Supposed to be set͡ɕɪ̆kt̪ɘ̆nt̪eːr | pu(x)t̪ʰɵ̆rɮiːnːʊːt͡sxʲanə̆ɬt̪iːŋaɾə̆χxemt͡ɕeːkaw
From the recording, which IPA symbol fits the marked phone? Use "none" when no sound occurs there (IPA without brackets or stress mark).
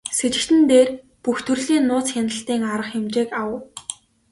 x